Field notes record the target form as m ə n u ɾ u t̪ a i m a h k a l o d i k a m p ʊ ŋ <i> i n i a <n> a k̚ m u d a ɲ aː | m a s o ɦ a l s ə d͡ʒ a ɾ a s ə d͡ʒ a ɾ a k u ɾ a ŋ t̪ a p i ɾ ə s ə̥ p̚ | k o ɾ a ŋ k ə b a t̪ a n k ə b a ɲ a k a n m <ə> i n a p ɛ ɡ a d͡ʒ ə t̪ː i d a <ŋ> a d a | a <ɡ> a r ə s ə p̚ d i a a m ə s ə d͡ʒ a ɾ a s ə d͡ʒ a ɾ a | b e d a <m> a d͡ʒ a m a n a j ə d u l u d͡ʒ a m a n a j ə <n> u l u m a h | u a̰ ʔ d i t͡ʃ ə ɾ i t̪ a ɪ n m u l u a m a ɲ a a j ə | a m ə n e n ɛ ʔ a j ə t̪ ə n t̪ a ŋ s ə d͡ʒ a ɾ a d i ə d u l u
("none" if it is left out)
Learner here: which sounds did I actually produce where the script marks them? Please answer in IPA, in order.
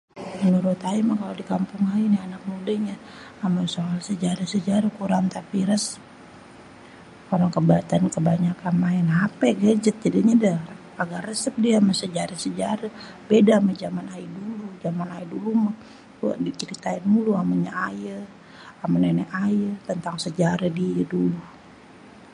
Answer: a, n, a, ɲ, ɡ, m, d

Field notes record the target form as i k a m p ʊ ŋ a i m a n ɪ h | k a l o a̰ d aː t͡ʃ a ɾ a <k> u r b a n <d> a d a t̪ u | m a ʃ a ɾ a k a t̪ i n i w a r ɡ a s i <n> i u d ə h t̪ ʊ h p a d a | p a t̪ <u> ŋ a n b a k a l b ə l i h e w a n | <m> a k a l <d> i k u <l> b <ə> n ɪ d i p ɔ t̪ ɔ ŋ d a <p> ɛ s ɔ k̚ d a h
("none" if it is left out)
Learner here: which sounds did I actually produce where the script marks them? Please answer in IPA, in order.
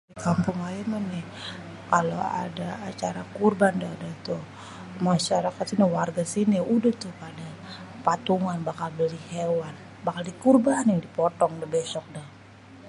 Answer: k, d, n, u, b, d, r, a, b

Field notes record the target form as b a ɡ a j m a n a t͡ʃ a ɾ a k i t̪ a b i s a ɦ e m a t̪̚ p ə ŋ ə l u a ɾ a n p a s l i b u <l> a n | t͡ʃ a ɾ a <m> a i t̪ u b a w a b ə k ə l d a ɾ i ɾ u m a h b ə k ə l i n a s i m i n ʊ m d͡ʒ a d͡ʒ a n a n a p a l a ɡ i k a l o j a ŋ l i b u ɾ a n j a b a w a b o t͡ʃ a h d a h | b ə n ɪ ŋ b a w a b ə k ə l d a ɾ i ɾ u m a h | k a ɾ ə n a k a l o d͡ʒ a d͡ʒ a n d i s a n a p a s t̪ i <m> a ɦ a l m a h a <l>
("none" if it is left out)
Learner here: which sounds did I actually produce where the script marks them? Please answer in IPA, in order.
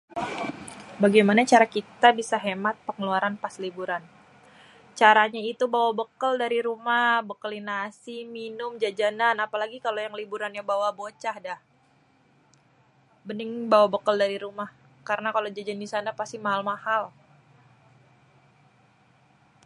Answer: ɾ, ɲ, m, l

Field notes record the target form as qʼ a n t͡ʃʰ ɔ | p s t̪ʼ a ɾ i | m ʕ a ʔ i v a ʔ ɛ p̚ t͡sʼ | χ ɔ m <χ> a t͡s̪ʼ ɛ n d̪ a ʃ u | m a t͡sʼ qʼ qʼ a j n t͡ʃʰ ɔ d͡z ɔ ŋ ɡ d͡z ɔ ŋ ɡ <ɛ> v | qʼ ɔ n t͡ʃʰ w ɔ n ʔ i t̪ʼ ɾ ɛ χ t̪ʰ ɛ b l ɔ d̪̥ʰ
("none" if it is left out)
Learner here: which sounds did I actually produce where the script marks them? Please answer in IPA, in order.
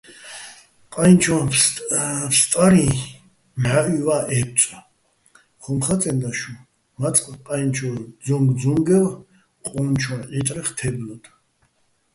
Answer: χ, ɛ

